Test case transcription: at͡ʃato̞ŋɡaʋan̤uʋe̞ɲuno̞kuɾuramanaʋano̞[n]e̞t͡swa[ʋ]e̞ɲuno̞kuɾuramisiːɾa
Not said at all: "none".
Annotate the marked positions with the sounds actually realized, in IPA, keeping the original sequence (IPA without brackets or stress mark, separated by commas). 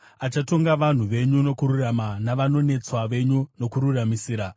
n, ʋ